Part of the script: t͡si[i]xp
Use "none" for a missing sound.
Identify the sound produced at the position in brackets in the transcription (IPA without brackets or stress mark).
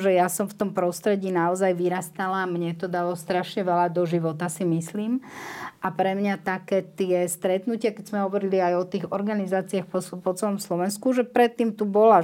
a